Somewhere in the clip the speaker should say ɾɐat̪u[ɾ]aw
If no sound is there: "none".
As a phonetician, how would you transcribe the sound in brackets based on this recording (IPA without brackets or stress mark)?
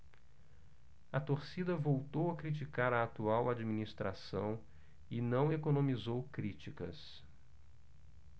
none